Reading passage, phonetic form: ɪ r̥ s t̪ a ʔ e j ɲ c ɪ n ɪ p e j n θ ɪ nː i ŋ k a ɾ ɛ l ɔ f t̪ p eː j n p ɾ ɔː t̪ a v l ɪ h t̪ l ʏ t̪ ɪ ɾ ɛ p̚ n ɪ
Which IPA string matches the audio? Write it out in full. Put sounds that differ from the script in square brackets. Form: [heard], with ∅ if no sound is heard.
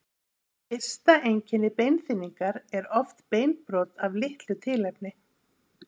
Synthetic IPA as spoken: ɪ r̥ s t̪ a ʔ e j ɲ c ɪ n ɪ p e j n θ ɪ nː i ŋ k a ɾ ɛ [ɾ] ɔ f t̪ p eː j n p ɾ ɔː t̪ a v l ɪ h t̪ l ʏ [t̪ʰ] ɪ [l] ɛ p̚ n ɪ